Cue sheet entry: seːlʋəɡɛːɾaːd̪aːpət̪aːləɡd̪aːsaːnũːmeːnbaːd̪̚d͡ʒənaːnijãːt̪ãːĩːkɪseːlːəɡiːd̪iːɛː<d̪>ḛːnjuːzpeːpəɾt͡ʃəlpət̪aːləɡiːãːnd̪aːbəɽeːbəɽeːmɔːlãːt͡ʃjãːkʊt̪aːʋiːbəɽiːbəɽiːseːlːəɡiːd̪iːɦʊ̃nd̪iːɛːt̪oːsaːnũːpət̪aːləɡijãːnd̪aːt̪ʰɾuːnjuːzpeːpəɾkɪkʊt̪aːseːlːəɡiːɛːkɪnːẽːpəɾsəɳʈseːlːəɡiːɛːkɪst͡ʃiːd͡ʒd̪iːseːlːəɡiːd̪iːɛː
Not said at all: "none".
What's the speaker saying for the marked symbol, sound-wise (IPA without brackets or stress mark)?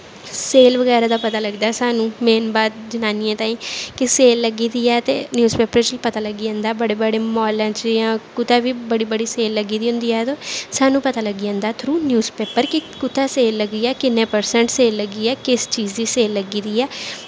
t̪